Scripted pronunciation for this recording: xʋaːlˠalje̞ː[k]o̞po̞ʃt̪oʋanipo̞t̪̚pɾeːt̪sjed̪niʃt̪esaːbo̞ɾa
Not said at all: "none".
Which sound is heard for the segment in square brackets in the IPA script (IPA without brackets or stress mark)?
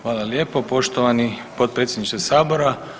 p